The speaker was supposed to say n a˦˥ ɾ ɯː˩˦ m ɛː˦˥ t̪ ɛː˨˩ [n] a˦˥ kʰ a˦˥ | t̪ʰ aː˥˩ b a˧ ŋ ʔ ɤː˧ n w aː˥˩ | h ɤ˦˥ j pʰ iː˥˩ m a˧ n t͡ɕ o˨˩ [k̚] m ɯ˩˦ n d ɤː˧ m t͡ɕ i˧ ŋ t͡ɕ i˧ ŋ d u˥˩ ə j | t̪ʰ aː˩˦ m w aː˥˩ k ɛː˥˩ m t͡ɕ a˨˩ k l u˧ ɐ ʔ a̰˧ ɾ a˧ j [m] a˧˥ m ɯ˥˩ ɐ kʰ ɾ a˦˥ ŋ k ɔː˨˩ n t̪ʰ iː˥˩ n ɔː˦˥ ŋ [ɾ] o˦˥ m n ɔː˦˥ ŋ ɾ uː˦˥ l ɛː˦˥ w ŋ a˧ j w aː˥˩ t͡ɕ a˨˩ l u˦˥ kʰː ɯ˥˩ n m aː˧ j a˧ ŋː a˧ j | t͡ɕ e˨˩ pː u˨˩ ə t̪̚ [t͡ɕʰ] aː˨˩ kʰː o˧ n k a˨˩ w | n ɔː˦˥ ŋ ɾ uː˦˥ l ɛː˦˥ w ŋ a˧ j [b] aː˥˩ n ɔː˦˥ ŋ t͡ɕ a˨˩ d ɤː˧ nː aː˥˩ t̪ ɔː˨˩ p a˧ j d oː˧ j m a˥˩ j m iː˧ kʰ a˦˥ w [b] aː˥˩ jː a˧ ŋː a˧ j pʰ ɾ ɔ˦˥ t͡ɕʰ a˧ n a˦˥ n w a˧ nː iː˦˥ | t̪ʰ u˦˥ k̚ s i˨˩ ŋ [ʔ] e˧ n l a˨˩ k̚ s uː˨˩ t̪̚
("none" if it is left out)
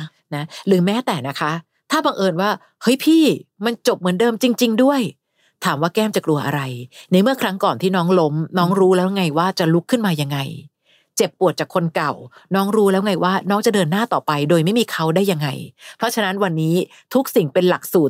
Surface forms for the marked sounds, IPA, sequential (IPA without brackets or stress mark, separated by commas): n, p̚, n, l, t͡ɕ, w, d, p